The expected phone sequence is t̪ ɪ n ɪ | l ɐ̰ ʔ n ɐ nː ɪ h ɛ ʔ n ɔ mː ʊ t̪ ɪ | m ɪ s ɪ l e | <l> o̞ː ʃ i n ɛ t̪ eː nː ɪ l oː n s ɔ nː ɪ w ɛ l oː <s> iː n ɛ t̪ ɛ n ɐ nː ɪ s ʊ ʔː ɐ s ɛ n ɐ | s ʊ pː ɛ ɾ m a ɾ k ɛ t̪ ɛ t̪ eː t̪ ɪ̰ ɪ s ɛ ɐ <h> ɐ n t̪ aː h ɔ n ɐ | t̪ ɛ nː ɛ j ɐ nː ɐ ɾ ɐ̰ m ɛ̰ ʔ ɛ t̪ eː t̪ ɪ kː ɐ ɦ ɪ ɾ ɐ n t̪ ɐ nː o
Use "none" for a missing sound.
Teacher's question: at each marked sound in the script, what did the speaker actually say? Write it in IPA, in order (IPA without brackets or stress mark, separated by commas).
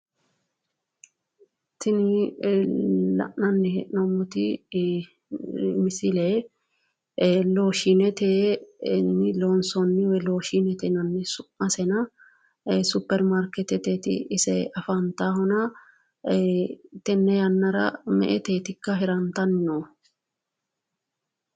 l, ʃ, f